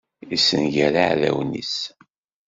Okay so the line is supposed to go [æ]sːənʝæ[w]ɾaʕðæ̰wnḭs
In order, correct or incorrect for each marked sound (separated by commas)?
incorrect, incorrect